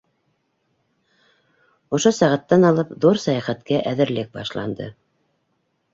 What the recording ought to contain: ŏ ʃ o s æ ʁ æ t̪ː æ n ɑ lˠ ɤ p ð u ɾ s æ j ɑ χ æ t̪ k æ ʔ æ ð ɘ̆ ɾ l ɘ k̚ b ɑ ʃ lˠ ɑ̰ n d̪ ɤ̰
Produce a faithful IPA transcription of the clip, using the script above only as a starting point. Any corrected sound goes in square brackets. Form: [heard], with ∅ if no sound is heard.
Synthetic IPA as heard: ŏ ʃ o s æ ʁ æ t̪ː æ n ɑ lˠ ɤ p ð u ɾ s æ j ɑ χ æ t̪ k æ ʔ æ ð ɘ̆ ɾ l ɘ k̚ b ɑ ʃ lˠ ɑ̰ n d̪ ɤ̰